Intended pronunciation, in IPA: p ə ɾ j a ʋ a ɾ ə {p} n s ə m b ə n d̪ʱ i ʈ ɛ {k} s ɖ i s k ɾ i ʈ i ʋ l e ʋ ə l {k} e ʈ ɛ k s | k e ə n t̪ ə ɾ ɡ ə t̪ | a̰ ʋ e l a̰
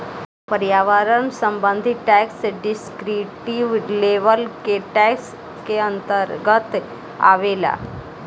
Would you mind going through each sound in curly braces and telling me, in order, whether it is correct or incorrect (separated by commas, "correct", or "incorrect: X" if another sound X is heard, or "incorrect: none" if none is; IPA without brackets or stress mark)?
incorrect: none, correct, correct